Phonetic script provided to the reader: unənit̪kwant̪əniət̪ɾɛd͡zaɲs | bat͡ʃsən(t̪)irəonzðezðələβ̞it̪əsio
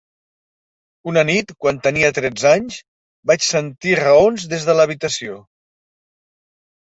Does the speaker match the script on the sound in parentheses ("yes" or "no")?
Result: yes